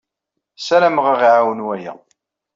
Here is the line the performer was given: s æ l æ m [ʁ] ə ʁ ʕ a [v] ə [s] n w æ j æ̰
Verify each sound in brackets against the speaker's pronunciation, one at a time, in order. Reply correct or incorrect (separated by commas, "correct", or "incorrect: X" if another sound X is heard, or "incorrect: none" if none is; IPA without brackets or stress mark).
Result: correct, incorrect: w, incorrect: none